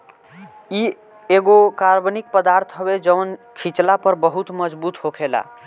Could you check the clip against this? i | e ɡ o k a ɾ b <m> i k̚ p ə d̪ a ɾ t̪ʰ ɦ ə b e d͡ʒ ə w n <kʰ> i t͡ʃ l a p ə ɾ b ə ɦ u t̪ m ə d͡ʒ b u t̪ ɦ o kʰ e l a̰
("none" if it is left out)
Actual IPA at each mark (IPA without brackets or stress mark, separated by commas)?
n, kʰ